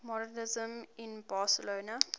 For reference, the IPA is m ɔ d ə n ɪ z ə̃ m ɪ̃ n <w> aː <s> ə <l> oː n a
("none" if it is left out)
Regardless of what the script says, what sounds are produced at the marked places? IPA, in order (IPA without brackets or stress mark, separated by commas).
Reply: b, s, l